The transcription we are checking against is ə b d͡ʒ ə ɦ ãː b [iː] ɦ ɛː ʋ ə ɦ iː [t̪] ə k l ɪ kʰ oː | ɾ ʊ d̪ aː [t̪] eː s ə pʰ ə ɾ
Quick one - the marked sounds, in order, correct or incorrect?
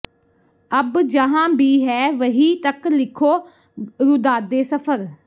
correct, correct, incorrect: d̪

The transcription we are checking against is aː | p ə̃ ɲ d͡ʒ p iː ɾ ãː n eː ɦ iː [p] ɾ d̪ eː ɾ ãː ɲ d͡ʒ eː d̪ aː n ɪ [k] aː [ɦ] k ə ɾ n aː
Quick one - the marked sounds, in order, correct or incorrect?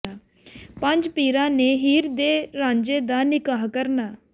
incorrect: none, correct, correct

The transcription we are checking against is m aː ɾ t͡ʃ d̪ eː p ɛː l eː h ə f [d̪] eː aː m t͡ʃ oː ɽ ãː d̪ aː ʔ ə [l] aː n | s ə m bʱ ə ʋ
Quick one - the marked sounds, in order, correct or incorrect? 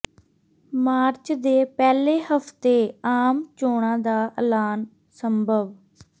incorrect: t̪, correct

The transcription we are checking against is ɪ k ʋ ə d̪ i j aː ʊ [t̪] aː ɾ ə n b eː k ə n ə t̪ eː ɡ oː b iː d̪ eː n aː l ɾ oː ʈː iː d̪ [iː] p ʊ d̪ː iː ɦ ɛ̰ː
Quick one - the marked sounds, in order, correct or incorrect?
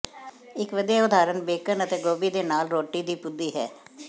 incorrect: d̪, correct

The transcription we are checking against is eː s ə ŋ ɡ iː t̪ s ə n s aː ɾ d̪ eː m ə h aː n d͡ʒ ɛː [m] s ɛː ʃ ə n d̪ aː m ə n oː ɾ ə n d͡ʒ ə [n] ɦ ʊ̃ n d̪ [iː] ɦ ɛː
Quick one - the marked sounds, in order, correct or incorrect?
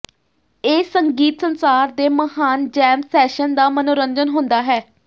correct, correct, incorrect: aː

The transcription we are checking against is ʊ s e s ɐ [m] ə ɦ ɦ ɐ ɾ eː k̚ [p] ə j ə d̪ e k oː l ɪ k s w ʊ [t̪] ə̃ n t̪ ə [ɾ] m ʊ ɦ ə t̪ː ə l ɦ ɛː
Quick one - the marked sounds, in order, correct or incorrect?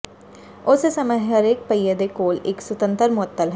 correct, correct, correct, correct

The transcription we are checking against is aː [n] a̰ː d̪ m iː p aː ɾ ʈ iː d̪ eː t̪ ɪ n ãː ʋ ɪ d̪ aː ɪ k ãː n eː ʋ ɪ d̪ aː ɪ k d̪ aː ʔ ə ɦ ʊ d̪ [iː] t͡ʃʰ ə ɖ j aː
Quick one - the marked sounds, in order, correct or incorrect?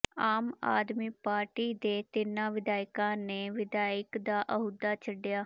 incorrect: m, incorrect: aː

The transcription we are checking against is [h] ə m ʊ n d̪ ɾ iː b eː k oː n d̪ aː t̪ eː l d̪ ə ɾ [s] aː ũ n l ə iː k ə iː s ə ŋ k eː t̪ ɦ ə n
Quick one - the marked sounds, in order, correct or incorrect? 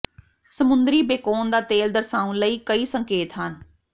incorrect: s, correct

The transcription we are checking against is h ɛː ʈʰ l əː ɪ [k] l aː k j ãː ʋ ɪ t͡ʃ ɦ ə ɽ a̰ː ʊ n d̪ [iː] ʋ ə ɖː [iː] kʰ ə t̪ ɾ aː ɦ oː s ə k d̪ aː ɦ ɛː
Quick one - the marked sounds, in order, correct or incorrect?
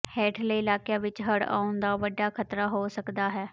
incorrect: none, incorrect: aː, incorrect: aː

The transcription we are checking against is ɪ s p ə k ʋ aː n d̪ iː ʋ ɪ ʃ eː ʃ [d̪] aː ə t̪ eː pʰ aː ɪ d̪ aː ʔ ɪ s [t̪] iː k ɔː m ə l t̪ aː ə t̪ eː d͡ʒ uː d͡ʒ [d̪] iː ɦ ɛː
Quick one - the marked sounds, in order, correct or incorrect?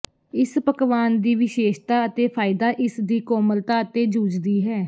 incorrect: t̪, incorrect: d̪, correct

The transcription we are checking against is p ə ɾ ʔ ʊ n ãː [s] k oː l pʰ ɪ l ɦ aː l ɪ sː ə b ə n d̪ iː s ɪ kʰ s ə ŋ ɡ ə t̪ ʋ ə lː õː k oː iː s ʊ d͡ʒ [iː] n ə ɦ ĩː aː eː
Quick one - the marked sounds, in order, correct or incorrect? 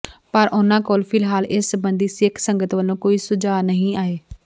incorrect: none, incorrect: aː

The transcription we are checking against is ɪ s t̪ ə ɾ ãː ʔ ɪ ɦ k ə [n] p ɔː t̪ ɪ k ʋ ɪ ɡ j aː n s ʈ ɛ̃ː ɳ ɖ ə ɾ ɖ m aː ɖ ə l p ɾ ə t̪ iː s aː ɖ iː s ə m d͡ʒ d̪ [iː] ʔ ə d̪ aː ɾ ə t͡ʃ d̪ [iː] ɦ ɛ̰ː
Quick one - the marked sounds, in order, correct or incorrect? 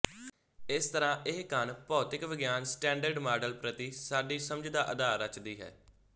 correct, incorrect: aː, correct

